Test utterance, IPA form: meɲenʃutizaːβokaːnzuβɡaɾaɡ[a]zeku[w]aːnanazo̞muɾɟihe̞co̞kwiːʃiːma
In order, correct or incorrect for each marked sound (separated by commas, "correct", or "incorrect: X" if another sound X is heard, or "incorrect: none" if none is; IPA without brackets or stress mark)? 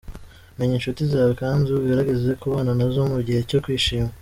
incorrect: e, incorrect: β